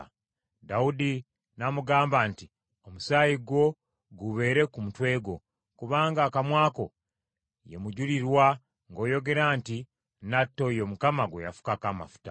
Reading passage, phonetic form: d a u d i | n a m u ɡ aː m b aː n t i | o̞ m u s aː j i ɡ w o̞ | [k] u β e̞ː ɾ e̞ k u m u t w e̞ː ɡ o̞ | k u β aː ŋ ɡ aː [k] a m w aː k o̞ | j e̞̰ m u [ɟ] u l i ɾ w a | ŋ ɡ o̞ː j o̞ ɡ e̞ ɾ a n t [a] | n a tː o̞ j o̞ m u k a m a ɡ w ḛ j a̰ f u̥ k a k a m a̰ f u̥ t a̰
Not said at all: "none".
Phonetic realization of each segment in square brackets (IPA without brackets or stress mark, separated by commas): ɡ, k, ɟ, i